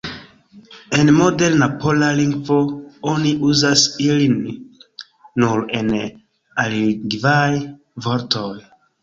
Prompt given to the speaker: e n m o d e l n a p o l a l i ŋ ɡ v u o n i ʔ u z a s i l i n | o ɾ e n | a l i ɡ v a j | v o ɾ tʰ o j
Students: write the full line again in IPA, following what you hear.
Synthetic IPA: e n m o d e l n a p o l a l i ŋ ɡ v o o n i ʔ u z a s i l i n | u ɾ e n | a l i ɡ v a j | v o ɾ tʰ o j